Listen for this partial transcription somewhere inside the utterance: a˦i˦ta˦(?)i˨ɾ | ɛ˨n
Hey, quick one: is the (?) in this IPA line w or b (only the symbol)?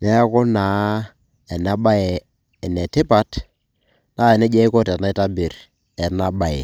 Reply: b